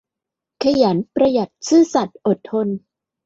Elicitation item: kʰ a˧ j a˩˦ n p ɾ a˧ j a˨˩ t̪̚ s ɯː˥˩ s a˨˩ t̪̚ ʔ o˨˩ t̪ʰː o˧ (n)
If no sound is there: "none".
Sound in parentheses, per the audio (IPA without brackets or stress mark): n